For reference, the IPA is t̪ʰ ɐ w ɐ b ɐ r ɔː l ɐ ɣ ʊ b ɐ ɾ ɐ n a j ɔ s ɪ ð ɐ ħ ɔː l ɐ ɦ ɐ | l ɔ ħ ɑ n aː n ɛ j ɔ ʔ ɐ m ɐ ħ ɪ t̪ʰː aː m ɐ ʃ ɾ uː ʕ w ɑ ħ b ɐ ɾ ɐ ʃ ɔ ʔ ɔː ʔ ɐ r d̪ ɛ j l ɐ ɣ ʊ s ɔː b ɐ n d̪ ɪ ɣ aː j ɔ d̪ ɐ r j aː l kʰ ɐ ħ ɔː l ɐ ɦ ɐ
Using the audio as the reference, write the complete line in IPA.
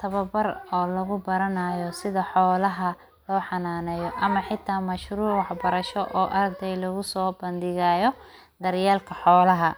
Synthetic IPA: t̪ʰ ɐ β ɐ b ɐ r ɔː l ɐ ɣ ʊ b ɐ ɾ ɐ n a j ɔ s ɪ ð ɐ ħ ɔː l ɐ ɦ ɐ | l ɔː ħ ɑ n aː n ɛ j ɔ ʔ ɐ m ɐ ħ ɪ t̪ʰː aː m ɐ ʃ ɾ uː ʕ w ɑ ħ b ɐ ɾ ɐ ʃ ɔ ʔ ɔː ʔ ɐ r d̪ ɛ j l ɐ ɣ ʊ s ɔː b ɐ n d̪ ɪ ɣ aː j ɔ d̪ ɐ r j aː l kʰ ɐ ħ ɔː l ɐ ɦ ɐ